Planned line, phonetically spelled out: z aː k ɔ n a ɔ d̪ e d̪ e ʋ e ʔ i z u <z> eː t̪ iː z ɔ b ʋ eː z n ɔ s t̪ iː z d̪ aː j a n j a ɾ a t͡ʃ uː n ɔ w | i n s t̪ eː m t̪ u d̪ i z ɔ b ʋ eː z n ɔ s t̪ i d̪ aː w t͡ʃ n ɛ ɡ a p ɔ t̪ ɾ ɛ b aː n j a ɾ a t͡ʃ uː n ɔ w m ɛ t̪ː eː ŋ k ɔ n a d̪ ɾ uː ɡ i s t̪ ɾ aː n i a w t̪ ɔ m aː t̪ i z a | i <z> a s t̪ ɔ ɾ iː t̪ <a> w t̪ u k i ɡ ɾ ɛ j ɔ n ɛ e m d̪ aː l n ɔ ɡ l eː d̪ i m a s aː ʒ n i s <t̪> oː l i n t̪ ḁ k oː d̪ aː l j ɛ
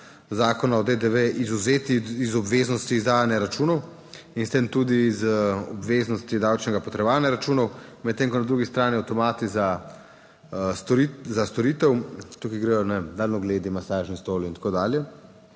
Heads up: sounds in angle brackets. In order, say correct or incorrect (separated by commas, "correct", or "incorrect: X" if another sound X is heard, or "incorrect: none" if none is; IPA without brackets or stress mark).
correct, correct, incorrect: ɛ, correct